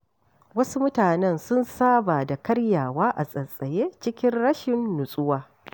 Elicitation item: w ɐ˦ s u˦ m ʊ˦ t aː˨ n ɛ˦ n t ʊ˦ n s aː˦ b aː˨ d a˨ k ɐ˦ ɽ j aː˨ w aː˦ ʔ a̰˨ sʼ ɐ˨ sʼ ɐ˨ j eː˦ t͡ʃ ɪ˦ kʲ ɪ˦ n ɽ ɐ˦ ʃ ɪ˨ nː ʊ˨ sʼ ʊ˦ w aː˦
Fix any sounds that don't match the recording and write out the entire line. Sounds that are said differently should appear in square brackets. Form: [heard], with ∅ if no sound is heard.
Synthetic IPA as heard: w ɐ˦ s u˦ m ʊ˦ t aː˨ n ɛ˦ n [s] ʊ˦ n s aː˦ b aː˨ d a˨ k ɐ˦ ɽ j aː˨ w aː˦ ʔ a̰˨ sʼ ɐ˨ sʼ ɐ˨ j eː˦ t͡ʃ ɪ˦ kʲ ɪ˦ n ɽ ɐ˦ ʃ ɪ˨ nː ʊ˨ sʼ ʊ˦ w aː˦